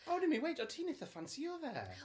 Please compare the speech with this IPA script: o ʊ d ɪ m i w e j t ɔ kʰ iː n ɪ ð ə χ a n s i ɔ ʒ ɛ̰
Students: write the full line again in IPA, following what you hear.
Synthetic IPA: o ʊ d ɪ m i w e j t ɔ tʰ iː n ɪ θ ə f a n s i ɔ ð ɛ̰